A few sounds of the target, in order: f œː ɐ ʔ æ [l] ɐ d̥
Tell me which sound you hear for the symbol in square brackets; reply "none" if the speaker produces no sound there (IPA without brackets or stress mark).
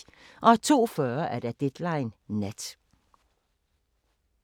none